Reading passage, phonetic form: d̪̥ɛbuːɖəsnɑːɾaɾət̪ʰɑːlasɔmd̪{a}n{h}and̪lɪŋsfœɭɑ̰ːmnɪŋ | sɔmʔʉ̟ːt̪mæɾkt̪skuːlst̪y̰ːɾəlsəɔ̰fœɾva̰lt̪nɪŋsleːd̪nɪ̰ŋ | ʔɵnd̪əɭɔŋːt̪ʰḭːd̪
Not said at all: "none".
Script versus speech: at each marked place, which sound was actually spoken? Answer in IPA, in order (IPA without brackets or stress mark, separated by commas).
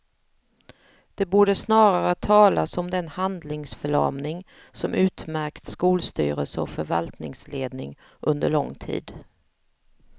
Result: ɛ, h